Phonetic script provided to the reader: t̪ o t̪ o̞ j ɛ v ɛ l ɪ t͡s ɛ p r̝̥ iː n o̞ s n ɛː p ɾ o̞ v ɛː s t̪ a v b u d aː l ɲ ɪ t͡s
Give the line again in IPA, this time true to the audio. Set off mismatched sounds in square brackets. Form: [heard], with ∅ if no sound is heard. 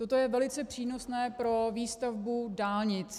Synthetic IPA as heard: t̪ o t̪ o̞ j ɛ v ɛ l ɪ t͡s ɛ p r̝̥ iː n o̞ s n ɛː p ɾ o̞ v [iː] s t̪ a v b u d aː l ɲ ɪ t͡s